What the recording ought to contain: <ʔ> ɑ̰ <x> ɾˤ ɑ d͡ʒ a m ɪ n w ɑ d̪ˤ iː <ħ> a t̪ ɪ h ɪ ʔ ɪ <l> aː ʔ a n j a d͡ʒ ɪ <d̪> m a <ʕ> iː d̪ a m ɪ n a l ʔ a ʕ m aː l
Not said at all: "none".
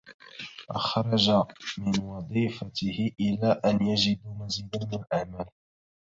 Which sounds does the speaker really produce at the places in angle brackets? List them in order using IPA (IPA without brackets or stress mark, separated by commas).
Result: ʔ, x, f, l, d̪, z